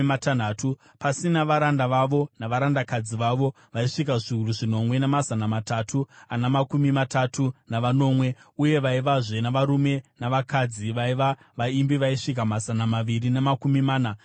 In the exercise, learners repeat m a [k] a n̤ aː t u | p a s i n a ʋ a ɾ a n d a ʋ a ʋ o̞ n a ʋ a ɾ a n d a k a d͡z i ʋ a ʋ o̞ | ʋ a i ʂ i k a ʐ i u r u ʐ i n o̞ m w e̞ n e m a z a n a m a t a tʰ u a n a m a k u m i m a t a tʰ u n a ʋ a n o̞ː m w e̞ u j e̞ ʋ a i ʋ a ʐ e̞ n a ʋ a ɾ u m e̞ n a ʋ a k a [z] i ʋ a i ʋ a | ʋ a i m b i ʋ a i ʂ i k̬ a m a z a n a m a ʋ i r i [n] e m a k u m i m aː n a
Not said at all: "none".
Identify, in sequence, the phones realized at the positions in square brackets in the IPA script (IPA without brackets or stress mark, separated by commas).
t, d͡z, n